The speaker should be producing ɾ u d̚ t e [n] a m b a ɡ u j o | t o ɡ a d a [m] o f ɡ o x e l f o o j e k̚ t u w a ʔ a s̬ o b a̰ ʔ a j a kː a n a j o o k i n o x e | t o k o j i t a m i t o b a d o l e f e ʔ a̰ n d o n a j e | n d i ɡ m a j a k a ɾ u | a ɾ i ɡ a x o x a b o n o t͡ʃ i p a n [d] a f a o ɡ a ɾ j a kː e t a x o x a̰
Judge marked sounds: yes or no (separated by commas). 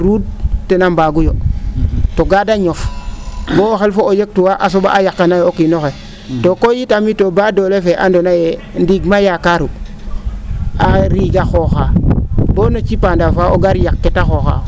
yes, no, yes